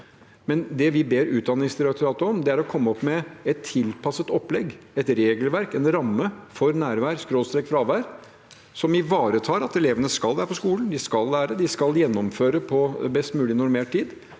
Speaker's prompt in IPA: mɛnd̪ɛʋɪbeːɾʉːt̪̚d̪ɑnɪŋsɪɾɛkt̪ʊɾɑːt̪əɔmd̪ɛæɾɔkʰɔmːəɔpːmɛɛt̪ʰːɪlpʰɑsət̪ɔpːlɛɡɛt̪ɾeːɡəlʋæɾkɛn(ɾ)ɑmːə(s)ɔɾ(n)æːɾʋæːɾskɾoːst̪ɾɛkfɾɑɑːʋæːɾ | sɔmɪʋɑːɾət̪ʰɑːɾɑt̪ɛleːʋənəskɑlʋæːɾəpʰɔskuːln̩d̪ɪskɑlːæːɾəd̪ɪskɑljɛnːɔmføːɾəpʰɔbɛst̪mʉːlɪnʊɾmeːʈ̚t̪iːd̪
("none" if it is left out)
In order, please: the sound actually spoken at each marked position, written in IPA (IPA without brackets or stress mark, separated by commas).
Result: ɾ, f, n